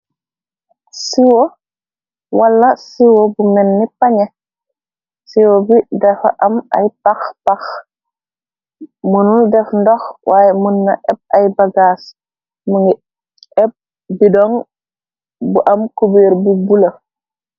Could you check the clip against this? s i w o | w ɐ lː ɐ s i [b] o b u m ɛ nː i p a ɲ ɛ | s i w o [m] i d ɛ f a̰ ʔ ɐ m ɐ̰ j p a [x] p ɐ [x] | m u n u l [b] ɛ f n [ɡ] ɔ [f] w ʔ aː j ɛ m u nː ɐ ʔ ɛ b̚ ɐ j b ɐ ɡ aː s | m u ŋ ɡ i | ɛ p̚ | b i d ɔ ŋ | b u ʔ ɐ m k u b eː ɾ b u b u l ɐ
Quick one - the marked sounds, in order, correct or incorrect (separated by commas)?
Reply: incorrect, incorrect, correct, correct, incorrect, incorrect, incorrect